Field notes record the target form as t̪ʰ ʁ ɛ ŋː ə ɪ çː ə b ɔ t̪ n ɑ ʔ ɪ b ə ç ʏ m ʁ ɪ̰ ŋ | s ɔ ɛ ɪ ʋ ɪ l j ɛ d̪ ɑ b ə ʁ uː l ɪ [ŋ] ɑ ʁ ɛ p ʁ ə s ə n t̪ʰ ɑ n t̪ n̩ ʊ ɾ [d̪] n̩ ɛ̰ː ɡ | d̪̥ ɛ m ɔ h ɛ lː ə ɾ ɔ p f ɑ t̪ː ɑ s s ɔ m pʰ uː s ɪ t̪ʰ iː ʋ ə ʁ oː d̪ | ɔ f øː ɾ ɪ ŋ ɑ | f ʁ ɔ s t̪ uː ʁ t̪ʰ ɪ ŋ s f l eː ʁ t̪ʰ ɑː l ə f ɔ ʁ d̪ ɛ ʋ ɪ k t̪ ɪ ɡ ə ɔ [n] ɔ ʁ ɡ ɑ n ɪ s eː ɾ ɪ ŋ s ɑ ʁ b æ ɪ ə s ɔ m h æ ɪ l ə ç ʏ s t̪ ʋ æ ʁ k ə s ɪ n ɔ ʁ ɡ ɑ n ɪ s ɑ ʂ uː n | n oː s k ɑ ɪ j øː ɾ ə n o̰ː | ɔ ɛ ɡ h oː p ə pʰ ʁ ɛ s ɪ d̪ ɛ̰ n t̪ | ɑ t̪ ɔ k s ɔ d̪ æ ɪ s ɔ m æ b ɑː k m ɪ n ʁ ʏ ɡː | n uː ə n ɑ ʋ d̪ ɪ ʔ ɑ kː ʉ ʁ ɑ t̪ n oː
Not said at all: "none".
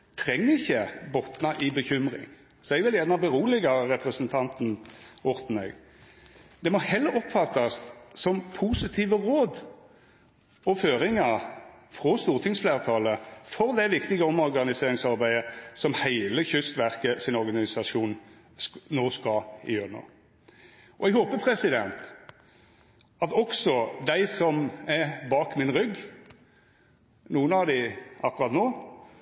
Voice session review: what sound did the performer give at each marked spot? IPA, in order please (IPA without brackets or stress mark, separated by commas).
ɡ, t̪, m